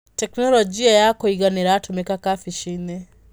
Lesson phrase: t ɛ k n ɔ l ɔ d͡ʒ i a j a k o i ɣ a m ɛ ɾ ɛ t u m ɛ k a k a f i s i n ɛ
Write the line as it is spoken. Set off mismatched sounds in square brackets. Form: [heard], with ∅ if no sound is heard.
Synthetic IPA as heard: t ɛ k n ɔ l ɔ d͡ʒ i a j a k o i ɣ a [n] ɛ ɾ [a] t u m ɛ k a k a f i [ʃ] i n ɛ